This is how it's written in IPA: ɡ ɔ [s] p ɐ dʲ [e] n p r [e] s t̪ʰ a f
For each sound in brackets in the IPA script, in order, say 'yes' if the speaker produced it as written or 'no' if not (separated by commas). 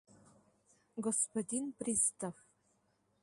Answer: yes, no, no